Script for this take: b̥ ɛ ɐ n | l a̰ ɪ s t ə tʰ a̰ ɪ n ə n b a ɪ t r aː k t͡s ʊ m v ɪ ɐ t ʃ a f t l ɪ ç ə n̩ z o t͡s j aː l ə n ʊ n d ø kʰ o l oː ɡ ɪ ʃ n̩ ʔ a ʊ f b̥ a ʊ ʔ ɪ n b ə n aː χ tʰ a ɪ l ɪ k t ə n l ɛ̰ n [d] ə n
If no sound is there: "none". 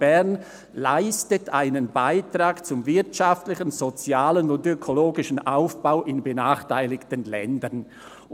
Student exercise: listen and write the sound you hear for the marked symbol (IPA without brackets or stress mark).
d